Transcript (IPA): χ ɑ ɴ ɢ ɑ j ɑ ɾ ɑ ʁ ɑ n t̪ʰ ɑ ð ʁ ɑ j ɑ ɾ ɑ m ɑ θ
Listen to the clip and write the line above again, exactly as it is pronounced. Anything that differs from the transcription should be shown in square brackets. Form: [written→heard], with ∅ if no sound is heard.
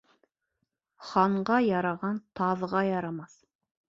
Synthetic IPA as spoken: χ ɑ ɴ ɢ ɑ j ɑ ɾ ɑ ʁ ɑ n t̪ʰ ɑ ð ʁ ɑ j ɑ ɾ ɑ m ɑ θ